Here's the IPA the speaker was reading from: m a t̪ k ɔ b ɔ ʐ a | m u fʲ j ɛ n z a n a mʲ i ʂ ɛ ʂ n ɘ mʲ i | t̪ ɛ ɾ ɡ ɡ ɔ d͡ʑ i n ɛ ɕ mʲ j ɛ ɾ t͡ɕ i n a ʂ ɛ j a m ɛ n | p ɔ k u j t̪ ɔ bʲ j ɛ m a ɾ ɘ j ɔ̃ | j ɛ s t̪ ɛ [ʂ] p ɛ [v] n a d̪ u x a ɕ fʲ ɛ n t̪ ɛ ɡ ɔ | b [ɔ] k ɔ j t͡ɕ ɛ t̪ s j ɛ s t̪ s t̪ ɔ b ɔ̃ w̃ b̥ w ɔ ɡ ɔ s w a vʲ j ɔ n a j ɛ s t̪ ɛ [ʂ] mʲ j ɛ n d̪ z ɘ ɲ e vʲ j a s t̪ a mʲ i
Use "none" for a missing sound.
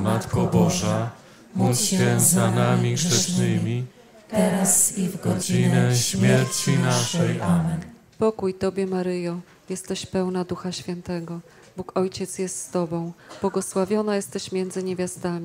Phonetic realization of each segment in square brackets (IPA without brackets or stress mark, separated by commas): ɕ, w, u, ɕ